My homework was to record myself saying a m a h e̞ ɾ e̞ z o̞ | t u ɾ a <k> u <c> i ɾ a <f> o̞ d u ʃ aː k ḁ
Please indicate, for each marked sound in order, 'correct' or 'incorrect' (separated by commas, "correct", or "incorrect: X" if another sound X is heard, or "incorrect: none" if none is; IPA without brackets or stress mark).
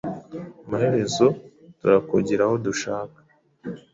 correct, incorrect: ɟ, incorrect: h